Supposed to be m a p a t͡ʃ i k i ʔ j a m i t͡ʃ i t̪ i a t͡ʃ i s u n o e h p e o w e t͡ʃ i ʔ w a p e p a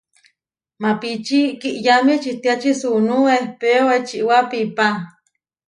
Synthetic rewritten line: m a p i t͡ʃ i k i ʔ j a m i t͡ʃ i t̪ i a t͡ʃ i s u n u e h p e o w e t͡ʃ i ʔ w a p i p a

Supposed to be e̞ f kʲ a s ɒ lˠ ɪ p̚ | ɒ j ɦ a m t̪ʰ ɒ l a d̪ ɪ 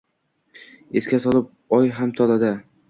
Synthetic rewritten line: e̞ s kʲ a s ɒ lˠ ɪ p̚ | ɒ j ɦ a m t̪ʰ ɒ l a d̪ ɪ

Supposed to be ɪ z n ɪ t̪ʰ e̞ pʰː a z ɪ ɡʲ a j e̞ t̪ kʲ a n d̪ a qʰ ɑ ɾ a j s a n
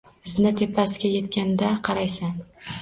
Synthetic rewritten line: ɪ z n ɪ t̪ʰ e̞ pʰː a s ɪ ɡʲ a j e̞ t̪ kʲ a n d̪ a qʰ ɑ ɾ a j s a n

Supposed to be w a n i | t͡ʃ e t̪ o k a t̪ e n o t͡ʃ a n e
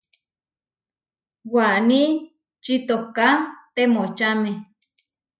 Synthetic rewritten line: w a n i | t͡ʃ i t̪ o k a t̪ e m o t͡ʃ a m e

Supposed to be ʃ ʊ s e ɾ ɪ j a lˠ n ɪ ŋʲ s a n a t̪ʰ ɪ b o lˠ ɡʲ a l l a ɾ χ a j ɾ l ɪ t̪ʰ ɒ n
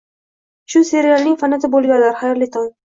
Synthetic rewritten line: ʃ ʊ s e ɾ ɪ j a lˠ n ɪ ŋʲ f a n a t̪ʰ ɪ b o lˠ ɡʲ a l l a ɾ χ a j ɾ l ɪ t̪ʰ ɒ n

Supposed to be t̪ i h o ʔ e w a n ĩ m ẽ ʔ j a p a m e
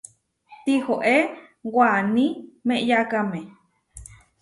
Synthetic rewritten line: t̪ i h o ʔ e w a n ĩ m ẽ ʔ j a k a m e

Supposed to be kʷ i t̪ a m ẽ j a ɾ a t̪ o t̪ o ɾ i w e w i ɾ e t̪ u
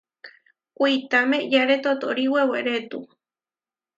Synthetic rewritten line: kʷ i t̪ a m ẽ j a ɾ e t̪ o t̪ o ɾ i w e w e ɾ e t̪ u

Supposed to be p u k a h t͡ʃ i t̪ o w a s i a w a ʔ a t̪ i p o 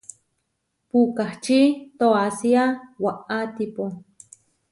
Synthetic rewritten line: p u k a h t͡ʃ i t̪ o a s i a w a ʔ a t̪ i p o

